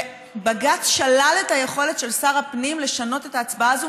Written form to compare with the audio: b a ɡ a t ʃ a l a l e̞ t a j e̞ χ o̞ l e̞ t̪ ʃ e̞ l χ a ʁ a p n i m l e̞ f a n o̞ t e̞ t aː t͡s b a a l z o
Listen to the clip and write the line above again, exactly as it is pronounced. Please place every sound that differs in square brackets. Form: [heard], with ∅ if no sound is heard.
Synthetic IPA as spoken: b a ɡ a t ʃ a l a l e̞ t a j e̞ χ o̞ l e̞ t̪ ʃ e̞ l [s] a ʁ a p n i m l e̞ [ʃ] a n o̞ t e̞ t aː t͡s b a a [∅] z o